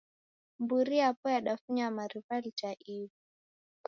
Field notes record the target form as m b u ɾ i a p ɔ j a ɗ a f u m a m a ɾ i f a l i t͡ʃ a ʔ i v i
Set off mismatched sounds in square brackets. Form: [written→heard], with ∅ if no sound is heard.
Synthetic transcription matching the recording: m b u ɾ i a p ɔ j a ɗ a f u [m→ɲ] a m a ɾ i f a l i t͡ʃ a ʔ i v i